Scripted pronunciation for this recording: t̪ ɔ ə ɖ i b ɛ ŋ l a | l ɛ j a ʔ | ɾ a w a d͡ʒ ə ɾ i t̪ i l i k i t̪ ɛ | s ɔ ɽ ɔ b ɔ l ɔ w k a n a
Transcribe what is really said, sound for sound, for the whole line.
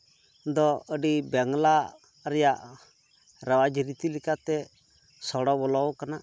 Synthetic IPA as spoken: d̪ ɔ ə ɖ i b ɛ ŋ l a | ɾ ɛ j a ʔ | ɾ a w a d͡ʒ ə ɾ i t̪ i l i k a t̪ ɛ | s ɔ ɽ ɔ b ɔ l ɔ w k a n a